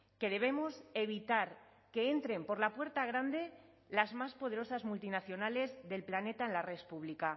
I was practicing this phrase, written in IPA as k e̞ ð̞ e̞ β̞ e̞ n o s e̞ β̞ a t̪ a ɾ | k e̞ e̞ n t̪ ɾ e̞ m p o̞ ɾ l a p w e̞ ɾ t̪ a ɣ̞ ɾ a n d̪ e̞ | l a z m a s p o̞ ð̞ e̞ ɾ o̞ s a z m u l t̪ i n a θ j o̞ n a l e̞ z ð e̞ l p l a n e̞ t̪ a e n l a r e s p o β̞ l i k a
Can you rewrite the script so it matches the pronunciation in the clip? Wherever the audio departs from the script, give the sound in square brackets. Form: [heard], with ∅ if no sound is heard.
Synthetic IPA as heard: k e̞ ð̞ e̞ β̞ e̞ [m] o s e̞ β̞ [i] t̪ a ɾ | k e̞ e̞ n t̪ ɾ e̞ m p o̞ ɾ l a p w e̞ ɾ t̪ a ɣ̞ ɾ a n d̪ e̞ | l a z m a s p o̞ ð̞ e̞ ɾ o̞ s a z m u l t̪ i n a θ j o̞ n a l e̞ z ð e̞ l p l a n e̞ t̪ a e n l a r e s p [u] β̞ l i k a

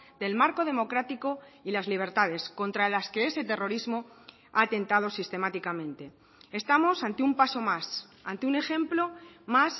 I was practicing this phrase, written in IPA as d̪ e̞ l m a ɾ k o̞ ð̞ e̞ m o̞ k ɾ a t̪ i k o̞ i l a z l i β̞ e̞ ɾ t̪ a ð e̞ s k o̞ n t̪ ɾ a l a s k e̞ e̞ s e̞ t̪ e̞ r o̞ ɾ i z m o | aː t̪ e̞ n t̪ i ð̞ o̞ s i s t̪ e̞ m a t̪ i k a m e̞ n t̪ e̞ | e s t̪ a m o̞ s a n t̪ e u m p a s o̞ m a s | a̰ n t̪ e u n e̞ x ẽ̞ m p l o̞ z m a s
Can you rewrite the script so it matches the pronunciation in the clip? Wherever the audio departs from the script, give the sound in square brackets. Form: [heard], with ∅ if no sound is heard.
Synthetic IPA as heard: d̪ e̞ l m a ɾ k o̞ ð̞ e̞ m o̞ k ɾ a t̪ i k o̞ i l a z l i β̞ e̞ ɾ t̪ a ð e̞ s k o̞ n t̪ ɾ a l a s k e̞ e̞ s e̞ t̪ e̞ r o̞ ɾ i z m o | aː t̪ e̞ n t̪ [a] ð̞ o̞ s i s t̪ e̞ m a t̪ i k a m [ẽ̞] n t̪ e̞ | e s t̪ a m o̞ s a n t̪ e u m p a s o̞ m a s | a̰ n t̪ e u n e̞ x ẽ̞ m p l o̞ [∅] m a s

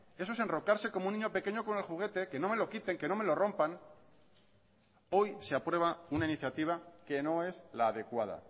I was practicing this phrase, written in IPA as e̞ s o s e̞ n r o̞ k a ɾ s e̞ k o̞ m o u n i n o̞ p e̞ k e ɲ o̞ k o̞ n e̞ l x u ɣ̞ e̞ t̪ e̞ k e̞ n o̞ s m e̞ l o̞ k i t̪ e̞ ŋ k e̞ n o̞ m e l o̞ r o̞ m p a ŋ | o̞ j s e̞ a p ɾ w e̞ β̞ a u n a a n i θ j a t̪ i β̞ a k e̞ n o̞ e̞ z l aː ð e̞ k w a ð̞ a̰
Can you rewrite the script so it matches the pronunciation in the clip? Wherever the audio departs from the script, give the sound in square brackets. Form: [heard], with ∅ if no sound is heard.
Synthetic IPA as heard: e̞ s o s e̞ n r o̞ k a ɾ s e̞ k o̞ m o u n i [ɲ] o̞ p e̞ k e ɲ o̞ k o̞ n e̞ l x u ɣ̞ e̞ t̪ e̞ k e̞ n o̞ [∅] m e̞ l o̞ k i t̪ e̞ ŋ k e̞ n o̞ m e l o̞ r o̞ m p a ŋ | o̞ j s e̞ a p ɾ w e̞ β̞ a u n a [i] n i θ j a t̪ i β̞ a k e̞ n o̞ e̞ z l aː ð e̞ k w a ð̞ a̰

